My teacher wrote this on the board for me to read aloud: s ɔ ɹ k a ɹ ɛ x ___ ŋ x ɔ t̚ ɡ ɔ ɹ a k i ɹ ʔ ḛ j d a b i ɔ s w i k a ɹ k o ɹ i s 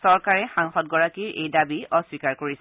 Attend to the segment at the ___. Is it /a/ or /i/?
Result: a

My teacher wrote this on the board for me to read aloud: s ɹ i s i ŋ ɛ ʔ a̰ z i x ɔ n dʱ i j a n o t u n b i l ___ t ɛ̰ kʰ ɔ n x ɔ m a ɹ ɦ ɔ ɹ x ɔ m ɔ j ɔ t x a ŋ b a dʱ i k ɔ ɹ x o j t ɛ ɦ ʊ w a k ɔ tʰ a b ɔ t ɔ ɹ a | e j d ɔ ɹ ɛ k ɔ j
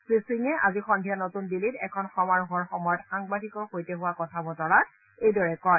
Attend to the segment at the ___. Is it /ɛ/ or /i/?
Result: i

